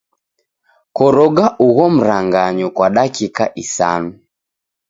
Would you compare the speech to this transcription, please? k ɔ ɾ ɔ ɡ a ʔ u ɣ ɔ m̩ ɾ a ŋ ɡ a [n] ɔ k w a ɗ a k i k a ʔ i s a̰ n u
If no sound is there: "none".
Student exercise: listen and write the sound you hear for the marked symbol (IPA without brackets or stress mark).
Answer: ɲ